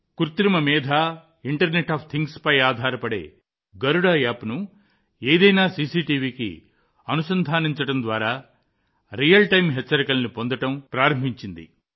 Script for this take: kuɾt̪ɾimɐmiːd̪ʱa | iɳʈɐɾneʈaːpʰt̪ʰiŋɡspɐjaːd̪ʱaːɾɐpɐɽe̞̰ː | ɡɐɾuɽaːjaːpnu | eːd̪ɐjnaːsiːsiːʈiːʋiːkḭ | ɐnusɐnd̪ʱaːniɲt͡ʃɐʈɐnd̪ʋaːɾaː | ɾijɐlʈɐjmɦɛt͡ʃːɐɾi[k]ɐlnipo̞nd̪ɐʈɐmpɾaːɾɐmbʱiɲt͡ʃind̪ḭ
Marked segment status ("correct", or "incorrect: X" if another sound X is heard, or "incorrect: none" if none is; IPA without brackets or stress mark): correct